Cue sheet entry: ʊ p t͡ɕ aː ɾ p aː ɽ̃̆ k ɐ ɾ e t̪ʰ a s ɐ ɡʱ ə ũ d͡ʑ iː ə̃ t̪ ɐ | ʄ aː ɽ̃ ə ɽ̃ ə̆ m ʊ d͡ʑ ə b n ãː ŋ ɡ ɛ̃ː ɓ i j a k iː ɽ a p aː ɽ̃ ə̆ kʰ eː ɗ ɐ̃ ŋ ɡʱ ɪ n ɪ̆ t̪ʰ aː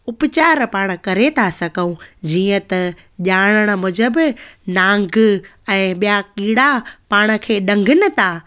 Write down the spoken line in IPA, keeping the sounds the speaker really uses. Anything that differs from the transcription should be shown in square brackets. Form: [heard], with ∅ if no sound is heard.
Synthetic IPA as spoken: ʊ p t͡ɕ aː ɾ p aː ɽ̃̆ k ɐ ɾ e t̪ʰ a s ɐ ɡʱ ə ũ d͡ʑ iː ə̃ t̪ ɐ | ʄ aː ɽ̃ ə ɽ̃ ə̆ m ʊ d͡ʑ ə b n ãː ŋ ɡ ɛ̃ː ɓ i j a k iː ɽ a p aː ɽ̃ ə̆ kʰ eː ɗ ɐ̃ ŋ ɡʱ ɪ n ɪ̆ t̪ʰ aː